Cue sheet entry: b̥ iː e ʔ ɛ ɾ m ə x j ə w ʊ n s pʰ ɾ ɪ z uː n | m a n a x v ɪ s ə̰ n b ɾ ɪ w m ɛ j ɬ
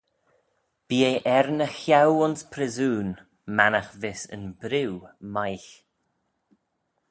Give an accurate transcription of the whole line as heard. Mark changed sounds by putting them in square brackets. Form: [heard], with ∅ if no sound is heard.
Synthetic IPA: b̥ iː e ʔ ɛ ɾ [n] ə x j [a] w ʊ n s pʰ ɾ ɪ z uː n | m a n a x v ɪ s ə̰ n b ɾ ɪ w m [a] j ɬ